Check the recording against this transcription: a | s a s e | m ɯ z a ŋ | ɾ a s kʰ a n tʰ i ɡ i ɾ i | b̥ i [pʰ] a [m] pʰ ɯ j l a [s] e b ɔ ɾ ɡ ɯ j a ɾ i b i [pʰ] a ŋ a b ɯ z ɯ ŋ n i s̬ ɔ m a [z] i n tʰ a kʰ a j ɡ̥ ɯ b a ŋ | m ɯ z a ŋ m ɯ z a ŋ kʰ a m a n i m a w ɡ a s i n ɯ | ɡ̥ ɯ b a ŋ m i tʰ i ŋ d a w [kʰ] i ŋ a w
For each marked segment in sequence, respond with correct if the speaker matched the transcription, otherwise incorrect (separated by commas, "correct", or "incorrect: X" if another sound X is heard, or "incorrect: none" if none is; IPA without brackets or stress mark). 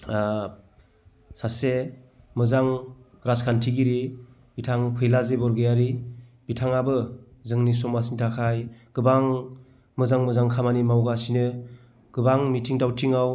incorrect: tʰ, incorrect: ŋ, incorrect: z, incorrect: tʰ, incorrect: s, incorrect: tʰ